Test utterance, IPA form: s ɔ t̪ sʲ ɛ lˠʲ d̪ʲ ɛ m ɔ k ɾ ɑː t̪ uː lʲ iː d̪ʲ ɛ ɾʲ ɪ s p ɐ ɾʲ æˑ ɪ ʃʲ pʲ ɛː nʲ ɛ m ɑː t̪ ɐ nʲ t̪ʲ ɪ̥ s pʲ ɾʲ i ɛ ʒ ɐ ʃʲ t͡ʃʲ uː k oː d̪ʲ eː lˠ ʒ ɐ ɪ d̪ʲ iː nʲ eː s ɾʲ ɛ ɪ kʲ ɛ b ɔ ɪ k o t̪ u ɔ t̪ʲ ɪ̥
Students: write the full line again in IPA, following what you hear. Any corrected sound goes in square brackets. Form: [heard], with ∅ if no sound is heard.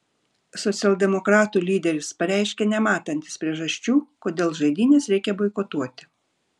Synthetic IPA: s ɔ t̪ sʲ ɛ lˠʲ d̪ʲ ɛ m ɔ k ɾ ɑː t̪ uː lʲ iː d̪ʲ ɛ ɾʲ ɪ s p ɐ ɾʲ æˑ ɪ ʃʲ [kʲ] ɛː nʲ ɛ m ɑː t̪ ɐ nʲ t̪ʲ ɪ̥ s pʲ ɾʲ i ɛ ʒ ɐ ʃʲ t͡ʃʲ uː k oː d̪ʲ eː lˠ ʒ ɐ ɪ d̪ʲ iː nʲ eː s ɾʲ ɛ ɪ kʲ ɛ b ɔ ɪ k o t̪ u ɔ t̪ʲ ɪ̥

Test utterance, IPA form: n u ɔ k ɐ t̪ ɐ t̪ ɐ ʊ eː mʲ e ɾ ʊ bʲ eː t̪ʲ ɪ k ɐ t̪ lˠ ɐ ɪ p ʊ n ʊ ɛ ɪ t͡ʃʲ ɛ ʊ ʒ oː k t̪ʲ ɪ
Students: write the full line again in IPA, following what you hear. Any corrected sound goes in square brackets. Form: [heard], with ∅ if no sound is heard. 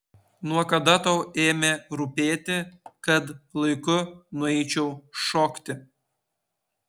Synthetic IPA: n u ɔ k ɐ [d̪] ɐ t̪ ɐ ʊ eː mʲ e ɾ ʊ [pʲ] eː t̪ʲ ɪ k ɐ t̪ lˠ ɐ ɪ [k] ʊ n ʊ ɛ ɪ t͡ʃʲ ɛ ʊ [ʃ] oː k t̪ʲ ɪ

